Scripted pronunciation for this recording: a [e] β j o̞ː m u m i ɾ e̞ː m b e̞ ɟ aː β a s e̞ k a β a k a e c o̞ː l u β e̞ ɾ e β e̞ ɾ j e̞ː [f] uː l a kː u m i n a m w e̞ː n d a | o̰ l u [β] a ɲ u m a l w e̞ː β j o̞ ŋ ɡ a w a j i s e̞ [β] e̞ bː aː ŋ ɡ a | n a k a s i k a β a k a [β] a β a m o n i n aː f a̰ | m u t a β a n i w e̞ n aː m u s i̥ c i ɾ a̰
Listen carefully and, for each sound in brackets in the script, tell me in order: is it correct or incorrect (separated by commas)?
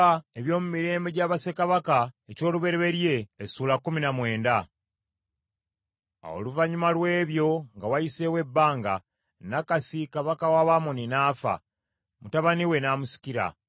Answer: correct, incorrect, incorrect, incorrect, incorrect